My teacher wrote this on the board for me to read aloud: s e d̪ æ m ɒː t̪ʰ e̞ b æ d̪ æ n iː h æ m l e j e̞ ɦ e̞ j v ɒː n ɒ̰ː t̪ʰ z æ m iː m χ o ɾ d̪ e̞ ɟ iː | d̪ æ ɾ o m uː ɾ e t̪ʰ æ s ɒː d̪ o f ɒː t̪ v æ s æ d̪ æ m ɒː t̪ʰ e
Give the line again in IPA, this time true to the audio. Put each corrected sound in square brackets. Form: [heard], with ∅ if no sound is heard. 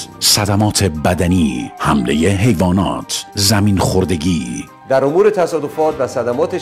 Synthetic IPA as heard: s [æ] d̪ æ m ɒː t̪ʰ e̞ b æ d̪ æ n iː h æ m l e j e̞ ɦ e̞ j v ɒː n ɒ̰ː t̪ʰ z æ m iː [n] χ o ɾ d̪ e̞ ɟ iː | d̪ æ ɾ o m uː ɾ e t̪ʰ æ s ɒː d̪ o f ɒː t̪ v æ s æ d̪ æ m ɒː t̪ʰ e